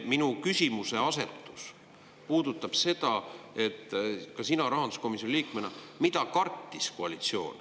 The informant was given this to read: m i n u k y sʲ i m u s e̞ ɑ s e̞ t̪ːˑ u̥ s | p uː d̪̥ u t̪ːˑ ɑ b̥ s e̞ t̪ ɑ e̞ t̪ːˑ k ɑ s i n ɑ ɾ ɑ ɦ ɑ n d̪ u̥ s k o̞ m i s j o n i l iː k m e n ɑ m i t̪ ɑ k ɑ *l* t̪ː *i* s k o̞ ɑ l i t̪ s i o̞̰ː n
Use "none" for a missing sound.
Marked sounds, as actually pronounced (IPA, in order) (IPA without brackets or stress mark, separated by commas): r, i